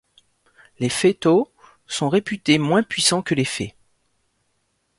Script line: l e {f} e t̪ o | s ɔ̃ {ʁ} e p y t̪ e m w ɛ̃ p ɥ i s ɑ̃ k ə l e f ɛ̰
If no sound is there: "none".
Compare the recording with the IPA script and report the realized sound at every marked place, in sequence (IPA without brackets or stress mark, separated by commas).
f, ʁ